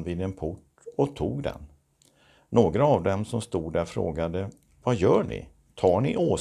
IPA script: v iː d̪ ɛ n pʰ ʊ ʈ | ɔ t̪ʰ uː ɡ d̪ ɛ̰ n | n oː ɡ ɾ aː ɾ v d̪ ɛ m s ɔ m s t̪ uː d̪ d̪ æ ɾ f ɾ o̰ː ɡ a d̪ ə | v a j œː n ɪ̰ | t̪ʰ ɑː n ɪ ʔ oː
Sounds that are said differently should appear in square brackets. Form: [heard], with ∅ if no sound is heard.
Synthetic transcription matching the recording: v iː d̪ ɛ n pʰ ʊ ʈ | ɔ t̪ʰ uː ɡ d̪ ɛ̰ n | n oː ɡ ɾ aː [∅] v d̪ ɛ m s ɔ m s t̪ uː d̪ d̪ æ ɾ f ɾ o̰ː ɡ a d̪ ə | v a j œː [ɳ] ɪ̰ | t̪ʰ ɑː [ɳ] ɪ ʔ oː